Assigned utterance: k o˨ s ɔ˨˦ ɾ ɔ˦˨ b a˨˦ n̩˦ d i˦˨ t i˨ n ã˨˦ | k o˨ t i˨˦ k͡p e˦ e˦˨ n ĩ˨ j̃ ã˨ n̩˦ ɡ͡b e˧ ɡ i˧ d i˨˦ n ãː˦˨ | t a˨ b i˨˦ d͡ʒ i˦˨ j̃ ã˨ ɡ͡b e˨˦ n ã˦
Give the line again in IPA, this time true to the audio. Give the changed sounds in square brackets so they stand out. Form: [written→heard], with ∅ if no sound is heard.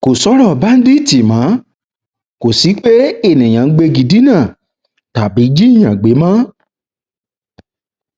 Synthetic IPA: k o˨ s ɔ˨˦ ɾ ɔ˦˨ b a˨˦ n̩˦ d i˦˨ t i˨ [n→m] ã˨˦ | k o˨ [t→s] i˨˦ k͡p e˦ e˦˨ n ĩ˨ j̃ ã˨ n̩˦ ɡ͡b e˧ ɡ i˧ d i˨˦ n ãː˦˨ | t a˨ b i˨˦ d͡ʒ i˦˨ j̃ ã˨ ɡ͡b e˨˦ [n→m] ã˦

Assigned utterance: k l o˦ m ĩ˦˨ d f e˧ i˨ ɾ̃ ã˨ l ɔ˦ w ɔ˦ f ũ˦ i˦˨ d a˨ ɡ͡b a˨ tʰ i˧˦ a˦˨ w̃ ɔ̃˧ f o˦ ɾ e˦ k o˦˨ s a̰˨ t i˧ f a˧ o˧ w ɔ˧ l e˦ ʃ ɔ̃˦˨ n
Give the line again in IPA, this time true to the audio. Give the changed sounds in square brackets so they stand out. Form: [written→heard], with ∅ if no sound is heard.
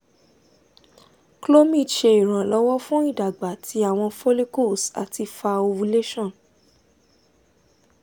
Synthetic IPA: k l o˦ m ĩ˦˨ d [f→ʃ] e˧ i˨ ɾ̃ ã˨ l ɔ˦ w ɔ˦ f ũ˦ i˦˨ d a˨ ɡ͡b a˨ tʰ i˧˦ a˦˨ w̃ ɔ̃˧ f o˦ [ɾ→l] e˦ k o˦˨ s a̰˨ t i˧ f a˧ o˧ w [ɔ˧→u˧] l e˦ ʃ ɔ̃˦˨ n

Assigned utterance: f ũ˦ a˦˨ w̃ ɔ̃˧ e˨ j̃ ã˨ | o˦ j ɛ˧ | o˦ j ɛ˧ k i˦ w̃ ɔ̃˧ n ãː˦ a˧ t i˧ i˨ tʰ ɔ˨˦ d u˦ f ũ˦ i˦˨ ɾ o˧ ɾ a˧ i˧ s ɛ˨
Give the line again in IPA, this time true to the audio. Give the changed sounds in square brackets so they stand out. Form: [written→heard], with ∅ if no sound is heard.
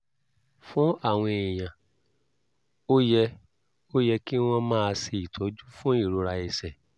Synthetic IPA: f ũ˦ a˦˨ w̃ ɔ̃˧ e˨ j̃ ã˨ | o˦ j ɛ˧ | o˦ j ɛ˧ k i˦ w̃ ɔ̃˧ [n→m] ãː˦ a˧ [t→s] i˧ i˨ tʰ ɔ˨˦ [d→d͡ʒ] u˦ f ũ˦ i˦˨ ɾ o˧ ɾ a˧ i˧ s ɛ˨

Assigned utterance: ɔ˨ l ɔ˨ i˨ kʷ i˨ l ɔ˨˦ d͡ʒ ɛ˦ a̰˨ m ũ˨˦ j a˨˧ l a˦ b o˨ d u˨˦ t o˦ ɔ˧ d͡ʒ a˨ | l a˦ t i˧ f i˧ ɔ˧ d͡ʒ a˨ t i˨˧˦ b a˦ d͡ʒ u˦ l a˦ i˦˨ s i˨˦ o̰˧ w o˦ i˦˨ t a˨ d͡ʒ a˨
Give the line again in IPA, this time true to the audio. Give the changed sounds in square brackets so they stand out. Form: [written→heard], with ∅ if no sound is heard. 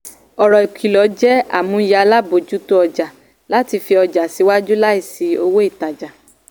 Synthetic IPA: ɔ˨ [l→ɾ] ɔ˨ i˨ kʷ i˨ l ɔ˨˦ d͡ʒ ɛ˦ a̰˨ m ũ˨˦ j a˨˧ l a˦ b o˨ [d→d͡ʒ] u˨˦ t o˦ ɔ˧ d͡ʒ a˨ | l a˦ t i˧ f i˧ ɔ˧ d͡ʒ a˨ [t→s] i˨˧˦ [b→w] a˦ d͡ʒ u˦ l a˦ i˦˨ s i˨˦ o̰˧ w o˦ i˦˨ t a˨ d͡ʒ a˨

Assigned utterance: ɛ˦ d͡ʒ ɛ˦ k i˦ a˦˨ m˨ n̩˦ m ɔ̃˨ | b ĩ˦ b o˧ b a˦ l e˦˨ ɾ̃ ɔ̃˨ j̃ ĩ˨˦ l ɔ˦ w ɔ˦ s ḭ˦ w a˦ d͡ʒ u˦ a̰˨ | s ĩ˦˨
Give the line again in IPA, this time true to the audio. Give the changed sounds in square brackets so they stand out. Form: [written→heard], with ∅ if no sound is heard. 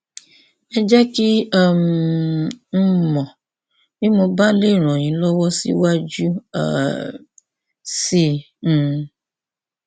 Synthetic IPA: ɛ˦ d͡ʒ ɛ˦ k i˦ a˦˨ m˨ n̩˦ m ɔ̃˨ | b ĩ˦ [b→m] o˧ b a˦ l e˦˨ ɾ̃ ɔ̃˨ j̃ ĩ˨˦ l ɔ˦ w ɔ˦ s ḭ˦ w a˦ d͡ʒ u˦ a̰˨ | s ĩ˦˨

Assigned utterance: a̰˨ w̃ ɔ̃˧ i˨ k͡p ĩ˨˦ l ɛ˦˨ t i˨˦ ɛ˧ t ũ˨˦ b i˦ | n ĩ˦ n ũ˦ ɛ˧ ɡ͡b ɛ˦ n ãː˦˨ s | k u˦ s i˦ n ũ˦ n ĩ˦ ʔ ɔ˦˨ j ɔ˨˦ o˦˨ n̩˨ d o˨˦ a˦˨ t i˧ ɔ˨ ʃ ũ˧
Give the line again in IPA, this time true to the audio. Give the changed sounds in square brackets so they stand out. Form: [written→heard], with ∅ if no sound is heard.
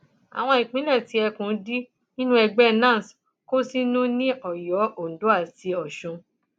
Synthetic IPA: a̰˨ w̃ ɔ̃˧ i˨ k͡p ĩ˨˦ l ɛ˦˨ t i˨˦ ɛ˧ [t→k] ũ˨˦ [b→d] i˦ | n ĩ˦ n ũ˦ ɛ˧ ɡ͡b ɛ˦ n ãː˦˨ s | k [u˦→o˦] s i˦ n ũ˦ n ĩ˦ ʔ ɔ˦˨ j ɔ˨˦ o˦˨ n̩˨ d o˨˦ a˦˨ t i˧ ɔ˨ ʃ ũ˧

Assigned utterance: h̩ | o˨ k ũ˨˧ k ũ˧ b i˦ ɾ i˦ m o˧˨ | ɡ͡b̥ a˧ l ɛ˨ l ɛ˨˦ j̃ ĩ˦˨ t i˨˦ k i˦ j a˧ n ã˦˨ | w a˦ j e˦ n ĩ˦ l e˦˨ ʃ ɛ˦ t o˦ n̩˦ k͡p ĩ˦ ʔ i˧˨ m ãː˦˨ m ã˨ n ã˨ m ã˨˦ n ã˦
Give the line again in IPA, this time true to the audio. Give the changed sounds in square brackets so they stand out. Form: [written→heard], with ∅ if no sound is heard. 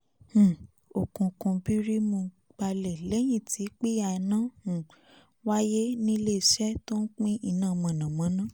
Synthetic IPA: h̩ | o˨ k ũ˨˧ k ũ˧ b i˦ ɾ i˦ m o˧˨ | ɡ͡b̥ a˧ l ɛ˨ l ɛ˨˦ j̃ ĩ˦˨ t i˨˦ [k→k͡p] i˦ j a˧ n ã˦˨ | w a˦ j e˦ n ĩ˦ l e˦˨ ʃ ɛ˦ t o˦ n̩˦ k͡p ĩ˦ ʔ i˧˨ [m→n] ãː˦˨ m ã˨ n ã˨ m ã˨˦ n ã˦

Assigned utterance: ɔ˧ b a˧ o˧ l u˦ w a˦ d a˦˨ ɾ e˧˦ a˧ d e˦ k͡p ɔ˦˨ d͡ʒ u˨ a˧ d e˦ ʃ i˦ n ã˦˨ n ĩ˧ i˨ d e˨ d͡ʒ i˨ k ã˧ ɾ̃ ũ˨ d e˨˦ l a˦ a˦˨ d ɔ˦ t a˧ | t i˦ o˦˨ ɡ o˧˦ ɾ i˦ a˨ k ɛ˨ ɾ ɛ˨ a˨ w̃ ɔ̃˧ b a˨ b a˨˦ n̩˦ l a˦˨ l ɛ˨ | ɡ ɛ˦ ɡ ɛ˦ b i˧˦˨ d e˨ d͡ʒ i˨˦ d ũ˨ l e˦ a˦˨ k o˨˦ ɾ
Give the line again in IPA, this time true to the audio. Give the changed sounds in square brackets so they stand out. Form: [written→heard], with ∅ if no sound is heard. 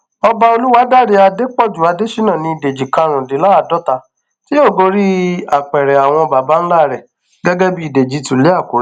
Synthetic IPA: ɔ˧ b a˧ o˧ l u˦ w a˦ d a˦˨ ɾ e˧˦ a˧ d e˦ k͡p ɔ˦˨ d͡ʒ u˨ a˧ d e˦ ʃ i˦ n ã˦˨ n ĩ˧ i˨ d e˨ d͡ʒ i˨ k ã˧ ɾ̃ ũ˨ d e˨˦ l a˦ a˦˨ d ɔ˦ t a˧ | t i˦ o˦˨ ɡ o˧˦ ɾ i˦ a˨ [k→k͡p] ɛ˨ ɾ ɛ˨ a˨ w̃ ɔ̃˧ b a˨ b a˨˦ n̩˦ l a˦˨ [l→ɾ] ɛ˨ | ɡ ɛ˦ ɡ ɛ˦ b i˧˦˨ d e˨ d͡ʒ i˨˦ [d→t] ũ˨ l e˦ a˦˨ k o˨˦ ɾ

